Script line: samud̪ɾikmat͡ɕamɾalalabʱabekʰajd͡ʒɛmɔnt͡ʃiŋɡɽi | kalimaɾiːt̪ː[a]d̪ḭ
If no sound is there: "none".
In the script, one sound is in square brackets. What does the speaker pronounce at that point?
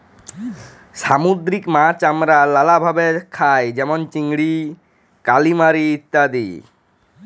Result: a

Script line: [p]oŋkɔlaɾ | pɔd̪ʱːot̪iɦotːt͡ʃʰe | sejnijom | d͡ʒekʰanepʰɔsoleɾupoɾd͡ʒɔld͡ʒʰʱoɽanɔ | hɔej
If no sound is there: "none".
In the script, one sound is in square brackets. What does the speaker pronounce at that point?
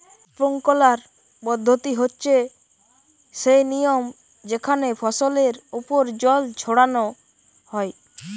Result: p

